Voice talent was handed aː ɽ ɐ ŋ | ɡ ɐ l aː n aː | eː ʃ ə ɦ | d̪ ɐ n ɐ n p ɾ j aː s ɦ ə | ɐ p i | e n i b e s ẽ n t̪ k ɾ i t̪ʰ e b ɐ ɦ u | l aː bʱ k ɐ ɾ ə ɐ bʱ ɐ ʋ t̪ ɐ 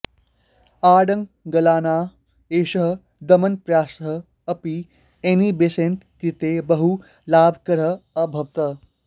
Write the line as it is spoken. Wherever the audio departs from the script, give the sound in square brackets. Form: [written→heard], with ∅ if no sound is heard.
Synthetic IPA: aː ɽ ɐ ŋ | ɡ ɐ l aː n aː | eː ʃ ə ɦ | d̪ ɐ [n→m] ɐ n p ɾ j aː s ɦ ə | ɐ p i | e n i b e s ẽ n t̪ k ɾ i [t̪ʰ→t̪] e b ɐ ɦ u | l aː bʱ k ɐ ɾ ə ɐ bʱ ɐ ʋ t̪ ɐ